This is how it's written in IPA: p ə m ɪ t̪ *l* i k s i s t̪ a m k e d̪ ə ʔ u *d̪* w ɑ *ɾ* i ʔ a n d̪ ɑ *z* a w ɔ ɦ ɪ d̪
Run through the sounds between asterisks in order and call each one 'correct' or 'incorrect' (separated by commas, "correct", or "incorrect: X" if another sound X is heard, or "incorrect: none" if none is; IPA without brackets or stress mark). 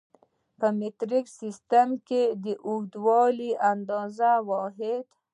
incorrect: ɾ, correct, incorrect: l, correct